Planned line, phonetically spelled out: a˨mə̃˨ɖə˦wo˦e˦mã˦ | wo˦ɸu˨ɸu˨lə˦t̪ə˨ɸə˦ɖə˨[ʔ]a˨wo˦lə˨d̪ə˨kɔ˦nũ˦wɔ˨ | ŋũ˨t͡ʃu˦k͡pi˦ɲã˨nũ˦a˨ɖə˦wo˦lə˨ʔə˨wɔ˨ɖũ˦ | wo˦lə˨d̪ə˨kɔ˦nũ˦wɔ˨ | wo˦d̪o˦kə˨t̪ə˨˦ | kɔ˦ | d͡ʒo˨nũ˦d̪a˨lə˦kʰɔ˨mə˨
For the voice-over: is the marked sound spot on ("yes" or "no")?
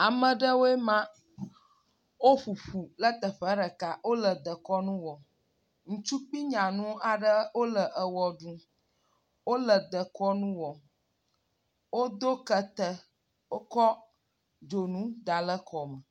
no